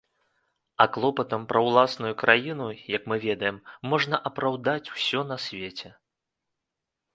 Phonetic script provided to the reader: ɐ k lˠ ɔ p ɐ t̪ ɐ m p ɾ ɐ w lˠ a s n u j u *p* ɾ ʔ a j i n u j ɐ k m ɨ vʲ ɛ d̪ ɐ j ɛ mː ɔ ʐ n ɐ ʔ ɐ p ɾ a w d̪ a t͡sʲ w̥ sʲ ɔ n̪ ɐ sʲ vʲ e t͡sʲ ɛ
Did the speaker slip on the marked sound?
yes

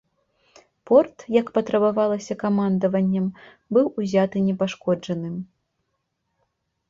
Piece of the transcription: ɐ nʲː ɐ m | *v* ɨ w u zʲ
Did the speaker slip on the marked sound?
yes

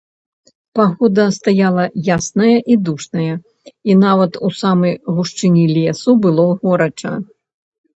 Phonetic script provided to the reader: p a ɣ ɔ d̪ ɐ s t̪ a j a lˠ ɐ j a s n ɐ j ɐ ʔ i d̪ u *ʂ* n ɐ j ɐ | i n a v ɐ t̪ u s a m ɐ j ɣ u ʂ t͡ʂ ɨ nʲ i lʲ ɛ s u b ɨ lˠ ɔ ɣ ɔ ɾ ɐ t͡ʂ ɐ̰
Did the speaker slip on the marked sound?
no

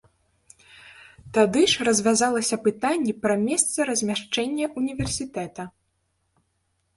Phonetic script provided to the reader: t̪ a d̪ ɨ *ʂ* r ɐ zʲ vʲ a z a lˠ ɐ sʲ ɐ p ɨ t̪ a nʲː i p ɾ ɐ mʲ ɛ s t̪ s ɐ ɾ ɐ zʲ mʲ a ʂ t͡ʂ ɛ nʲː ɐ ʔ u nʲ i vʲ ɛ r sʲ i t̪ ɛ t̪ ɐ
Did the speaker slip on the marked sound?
no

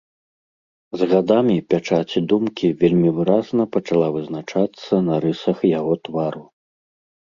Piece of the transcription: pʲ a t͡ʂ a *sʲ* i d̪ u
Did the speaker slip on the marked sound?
yes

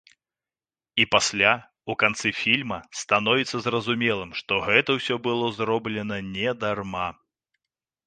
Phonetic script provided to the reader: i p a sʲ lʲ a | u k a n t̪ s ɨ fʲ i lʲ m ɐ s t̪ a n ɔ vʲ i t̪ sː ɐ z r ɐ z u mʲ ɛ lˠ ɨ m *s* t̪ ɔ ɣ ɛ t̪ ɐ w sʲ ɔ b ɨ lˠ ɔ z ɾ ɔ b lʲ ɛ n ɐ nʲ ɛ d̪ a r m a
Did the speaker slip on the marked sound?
yes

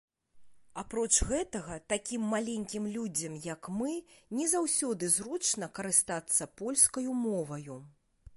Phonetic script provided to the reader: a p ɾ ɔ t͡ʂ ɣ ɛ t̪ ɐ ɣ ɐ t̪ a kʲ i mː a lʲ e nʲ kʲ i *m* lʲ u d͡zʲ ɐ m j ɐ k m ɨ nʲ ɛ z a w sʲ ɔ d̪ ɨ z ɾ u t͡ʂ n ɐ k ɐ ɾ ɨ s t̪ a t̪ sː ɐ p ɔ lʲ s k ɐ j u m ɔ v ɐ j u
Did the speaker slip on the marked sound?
no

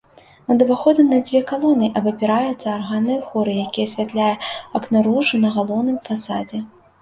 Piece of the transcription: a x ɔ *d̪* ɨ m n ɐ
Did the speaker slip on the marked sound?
no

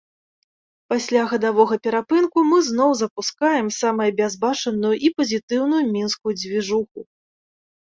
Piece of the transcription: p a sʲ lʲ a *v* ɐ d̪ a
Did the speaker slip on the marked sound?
yes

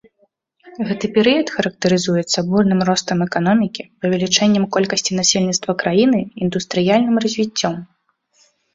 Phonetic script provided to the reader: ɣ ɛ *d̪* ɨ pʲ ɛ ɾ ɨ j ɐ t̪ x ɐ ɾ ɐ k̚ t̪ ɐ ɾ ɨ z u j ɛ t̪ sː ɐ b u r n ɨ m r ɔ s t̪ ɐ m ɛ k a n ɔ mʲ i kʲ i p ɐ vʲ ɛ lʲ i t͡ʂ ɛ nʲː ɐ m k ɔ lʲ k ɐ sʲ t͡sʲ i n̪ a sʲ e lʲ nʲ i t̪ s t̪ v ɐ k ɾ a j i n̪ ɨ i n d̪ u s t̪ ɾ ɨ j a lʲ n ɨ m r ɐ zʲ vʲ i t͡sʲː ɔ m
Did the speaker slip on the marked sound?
yes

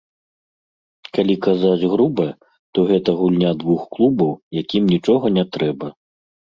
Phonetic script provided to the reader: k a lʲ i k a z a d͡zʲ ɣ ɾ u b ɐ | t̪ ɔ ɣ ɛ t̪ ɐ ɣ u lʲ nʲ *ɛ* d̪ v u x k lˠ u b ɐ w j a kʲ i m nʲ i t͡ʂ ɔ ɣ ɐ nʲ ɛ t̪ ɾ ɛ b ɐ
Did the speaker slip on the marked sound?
yes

